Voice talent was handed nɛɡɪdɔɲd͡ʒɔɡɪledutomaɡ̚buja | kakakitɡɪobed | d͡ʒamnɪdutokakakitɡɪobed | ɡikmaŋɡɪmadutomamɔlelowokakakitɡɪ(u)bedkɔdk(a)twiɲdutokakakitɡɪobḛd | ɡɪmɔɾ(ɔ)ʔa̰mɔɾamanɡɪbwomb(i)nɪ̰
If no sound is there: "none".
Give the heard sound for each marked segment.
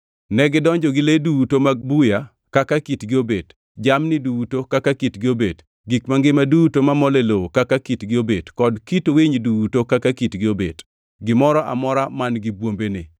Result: o, i, ɔ, e

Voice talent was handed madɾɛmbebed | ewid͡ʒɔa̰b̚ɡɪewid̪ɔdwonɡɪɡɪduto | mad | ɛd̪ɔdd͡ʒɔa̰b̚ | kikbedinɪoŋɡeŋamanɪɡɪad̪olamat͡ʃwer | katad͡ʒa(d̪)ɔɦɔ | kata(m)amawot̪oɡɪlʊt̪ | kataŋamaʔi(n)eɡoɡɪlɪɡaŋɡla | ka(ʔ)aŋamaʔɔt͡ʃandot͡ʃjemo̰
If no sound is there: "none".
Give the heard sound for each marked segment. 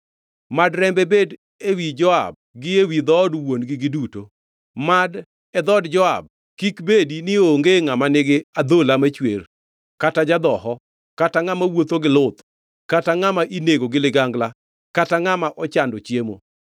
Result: d̪, ŋ, n, t

